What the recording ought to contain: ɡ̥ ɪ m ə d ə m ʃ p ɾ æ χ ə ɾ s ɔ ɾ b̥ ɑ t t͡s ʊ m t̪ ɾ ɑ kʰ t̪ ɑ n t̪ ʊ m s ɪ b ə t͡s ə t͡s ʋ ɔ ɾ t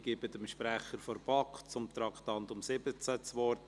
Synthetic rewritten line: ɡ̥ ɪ b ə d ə m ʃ p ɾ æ χ ə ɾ f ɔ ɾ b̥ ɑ k t͡s ʊ m t̪ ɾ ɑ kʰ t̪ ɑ n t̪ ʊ m s ɪ b ə t͡s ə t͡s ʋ ɔ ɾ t